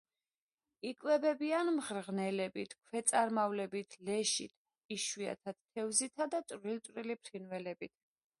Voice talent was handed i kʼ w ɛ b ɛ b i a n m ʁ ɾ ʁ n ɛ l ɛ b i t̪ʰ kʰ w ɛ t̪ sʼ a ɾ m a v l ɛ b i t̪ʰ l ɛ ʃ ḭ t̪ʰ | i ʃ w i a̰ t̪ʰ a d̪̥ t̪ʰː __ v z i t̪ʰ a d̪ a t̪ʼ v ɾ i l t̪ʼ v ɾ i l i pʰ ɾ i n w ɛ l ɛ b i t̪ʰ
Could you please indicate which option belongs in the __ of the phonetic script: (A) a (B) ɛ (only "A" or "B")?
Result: B